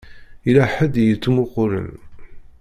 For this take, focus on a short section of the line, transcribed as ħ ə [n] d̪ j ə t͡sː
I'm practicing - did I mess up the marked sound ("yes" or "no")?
yes